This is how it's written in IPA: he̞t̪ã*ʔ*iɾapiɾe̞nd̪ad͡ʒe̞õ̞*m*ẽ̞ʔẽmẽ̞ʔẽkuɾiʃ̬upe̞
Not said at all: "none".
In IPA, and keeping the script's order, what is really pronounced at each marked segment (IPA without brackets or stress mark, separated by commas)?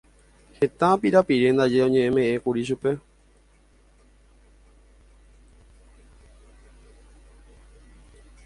p, ɲ